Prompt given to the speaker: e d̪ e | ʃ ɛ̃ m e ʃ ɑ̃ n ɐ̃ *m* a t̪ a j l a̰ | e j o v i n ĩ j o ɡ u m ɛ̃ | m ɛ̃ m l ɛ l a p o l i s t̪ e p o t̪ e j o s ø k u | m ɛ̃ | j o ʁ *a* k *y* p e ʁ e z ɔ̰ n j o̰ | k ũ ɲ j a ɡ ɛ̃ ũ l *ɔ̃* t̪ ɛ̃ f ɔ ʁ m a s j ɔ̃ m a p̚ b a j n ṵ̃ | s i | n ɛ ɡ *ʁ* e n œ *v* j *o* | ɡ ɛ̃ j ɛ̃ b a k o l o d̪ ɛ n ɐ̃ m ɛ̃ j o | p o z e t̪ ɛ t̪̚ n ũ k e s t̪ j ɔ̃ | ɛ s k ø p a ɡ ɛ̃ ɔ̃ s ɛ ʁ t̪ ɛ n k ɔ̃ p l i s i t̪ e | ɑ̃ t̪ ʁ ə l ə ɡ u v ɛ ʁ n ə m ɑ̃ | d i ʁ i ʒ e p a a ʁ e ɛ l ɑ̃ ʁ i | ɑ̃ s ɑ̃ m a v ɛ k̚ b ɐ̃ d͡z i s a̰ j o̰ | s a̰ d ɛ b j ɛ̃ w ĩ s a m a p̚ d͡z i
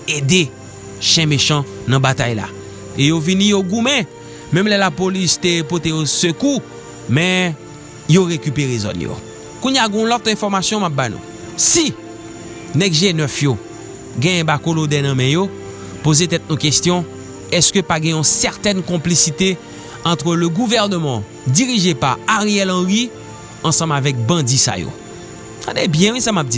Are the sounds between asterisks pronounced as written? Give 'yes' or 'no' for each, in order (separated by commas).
no, no, yes, no, no, no, yes